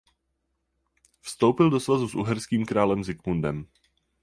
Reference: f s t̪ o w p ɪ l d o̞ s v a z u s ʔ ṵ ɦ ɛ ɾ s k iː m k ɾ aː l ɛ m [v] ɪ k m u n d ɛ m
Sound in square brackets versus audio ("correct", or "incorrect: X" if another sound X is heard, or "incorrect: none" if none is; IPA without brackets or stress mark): incorrect: z